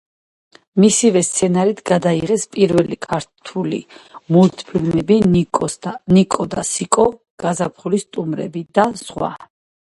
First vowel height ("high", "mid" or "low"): high